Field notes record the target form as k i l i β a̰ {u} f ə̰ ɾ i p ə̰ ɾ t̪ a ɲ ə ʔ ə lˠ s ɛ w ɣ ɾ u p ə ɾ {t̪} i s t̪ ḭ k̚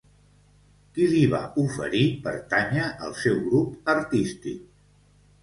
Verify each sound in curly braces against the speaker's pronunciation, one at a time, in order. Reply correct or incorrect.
correct, correct

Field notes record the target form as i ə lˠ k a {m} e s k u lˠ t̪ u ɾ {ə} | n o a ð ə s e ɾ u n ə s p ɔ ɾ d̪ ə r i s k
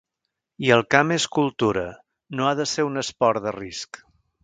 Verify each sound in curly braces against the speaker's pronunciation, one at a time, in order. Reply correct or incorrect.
correct, correct

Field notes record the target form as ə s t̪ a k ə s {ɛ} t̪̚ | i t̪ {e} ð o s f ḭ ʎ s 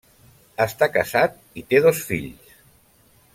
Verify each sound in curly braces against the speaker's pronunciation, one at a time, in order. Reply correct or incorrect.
incorrect: a, correct

